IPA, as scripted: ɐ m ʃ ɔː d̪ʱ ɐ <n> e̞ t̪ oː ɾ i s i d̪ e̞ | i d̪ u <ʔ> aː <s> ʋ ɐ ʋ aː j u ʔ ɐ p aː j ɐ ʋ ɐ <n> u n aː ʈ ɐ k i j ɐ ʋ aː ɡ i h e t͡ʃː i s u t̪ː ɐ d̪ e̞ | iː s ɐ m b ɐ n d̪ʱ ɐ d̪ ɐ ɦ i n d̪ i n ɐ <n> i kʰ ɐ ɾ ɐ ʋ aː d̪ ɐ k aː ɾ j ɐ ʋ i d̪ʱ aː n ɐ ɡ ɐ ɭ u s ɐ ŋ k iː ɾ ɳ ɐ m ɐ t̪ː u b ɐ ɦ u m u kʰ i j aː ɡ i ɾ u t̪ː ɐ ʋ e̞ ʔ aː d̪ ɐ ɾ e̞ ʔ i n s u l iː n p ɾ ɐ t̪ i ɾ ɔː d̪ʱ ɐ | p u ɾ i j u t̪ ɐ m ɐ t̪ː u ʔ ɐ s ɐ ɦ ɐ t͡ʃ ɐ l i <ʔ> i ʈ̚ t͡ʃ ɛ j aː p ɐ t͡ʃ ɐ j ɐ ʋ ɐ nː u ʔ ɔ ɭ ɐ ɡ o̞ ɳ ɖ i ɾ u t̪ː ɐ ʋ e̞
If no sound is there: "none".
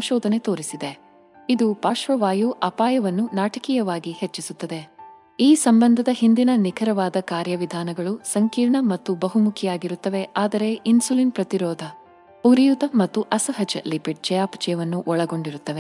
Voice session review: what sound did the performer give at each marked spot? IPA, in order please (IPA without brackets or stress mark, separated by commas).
n, p, ʃ, nː, n, p